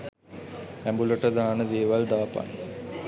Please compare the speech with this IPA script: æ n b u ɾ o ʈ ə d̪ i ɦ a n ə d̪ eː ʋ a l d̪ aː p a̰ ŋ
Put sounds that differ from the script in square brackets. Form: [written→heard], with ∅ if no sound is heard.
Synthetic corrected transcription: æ [n→m] b u [ɾ→l] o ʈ ə d̪ [i→a] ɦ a n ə d̪ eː ʋ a l d̪ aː p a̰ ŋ